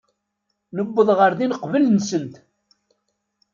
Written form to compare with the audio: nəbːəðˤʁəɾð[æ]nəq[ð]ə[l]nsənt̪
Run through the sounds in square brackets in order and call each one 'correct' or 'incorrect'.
incorrect, incorrect, correct

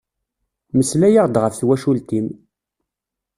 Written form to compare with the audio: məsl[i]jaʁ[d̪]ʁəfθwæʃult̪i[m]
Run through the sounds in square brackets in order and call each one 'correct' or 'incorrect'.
incorrect, correct, correct

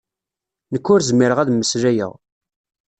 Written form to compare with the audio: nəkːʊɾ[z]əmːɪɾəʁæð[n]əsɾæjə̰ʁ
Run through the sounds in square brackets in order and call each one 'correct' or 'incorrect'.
correct, incorrect

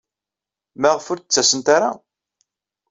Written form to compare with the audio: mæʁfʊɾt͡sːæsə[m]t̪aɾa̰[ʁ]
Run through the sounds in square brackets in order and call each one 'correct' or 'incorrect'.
incorrect, incorrect

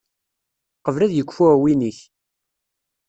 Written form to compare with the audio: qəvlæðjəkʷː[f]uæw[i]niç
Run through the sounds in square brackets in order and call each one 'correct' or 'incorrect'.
correct, correct

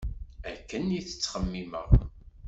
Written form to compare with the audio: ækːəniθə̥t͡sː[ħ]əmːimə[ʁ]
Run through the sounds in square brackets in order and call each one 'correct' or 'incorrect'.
incorrect, correct

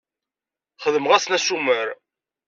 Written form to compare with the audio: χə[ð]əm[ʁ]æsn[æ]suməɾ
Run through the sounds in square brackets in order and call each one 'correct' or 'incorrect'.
correct, correct, correct

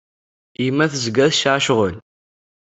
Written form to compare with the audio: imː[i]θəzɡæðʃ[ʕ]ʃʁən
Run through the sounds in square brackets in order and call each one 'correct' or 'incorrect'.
incorrect, correct

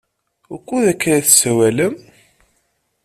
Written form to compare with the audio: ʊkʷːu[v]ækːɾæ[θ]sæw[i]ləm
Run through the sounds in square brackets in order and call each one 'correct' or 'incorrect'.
incorrect, correct, incorrect

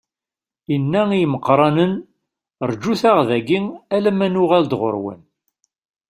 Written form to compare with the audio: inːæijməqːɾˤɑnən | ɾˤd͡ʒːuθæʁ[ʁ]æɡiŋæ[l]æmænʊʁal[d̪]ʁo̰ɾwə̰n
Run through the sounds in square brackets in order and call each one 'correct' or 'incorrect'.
incorrect, correct, correct

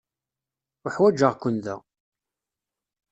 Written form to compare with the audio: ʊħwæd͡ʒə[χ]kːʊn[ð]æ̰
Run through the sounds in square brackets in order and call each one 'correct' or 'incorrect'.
incorrect, correct

